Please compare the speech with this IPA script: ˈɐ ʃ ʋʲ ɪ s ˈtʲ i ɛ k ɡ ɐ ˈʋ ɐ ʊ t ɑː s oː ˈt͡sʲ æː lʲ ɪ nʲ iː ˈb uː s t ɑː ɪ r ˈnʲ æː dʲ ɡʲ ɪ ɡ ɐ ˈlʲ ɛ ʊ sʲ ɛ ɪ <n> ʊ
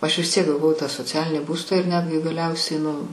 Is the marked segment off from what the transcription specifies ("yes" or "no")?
no